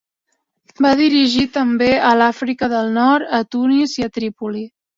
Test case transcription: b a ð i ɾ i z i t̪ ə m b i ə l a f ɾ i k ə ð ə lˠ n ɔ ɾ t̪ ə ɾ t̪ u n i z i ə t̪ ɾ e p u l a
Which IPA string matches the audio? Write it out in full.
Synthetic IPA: b a ð i ɾ i ʒ i t̪ ə m b e ə l a f ɾ i k ə ð ə lˠ n ɔ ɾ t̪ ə t̪ u n i z i ə t̪ ɾ i p u l i